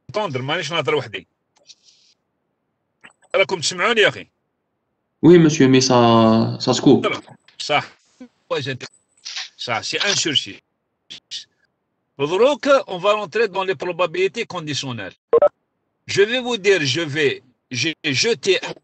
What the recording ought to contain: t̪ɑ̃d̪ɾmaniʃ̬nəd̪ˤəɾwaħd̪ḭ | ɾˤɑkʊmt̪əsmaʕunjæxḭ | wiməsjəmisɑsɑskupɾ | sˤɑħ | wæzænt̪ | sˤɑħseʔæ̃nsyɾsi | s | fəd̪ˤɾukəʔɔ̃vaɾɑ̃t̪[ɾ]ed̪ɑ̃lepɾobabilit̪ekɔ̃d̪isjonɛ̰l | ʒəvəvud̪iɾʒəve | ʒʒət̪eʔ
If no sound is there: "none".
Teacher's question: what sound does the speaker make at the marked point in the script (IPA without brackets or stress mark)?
ɾ